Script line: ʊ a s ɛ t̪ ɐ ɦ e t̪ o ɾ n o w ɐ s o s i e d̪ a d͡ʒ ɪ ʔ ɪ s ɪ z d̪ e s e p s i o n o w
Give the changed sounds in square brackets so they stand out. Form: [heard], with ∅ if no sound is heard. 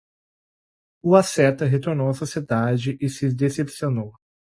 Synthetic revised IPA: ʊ a s ɛ t̪ ɐ ɦ e t̪ o ɾ n o w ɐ s o s i e d̪ a d͡ʒ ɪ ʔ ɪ s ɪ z d̪ e s e p s i o n o w